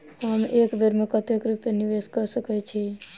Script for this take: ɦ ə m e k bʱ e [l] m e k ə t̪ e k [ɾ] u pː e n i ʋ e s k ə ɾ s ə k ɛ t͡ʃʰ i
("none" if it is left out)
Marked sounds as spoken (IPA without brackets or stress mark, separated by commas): ɾ, ɾ